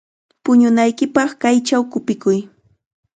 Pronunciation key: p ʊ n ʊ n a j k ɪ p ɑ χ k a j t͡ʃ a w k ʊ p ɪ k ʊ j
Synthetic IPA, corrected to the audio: p ʊ ɲ ʊ n a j k ɪ p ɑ χ k a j t͡ʃ a w k ʊ p ɪ k ʊ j